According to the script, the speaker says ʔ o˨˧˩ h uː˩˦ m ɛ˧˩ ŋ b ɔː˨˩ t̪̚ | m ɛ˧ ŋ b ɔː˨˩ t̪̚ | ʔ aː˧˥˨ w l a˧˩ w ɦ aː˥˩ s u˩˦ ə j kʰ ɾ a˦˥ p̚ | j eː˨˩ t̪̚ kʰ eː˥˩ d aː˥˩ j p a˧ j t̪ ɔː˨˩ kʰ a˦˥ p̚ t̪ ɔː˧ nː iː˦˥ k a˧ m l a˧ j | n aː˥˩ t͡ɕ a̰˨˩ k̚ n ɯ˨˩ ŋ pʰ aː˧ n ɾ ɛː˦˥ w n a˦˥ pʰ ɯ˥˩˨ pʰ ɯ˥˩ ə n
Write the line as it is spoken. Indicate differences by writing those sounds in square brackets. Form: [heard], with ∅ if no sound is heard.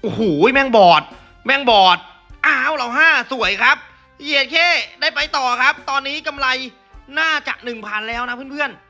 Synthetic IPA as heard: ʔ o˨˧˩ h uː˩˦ m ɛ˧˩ ŋ b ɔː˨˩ t̪̚ | m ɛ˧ ŋ b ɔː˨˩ t̪̚ | ʔ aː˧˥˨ w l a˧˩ w ɦ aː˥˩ s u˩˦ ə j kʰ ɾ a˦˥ p̚ | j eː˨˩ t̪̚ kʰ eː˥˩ d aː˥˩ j p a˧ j t̪ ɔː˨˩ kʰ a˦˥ p̚ t̪ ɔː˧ nː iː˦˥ k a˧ m l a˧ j | n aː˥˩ t͡ɕ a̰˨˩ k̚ n ɯ˨˩ ŋ pʰ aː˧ n [l] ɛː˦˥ w n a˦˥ pʰ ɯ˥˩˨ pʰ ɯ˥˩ ə n